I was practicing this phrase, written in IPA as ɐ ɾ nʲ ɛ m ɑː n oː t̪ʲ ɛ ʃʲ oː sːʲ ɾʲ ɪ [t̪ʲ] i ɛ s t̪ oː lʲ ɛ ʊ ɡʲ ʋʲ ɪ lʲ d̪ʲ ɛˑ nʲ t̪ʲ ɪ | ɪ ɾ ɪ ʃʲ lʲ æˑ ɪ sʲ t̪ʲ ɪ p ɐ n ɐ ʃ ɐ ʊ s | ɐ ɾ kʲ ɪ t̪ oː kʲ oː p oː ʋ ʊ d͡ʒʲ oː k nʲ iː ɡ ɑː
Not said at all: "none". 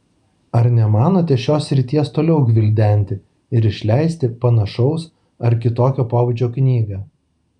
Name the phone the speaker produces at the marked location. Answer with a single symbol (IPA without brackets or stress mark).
t̪ʲ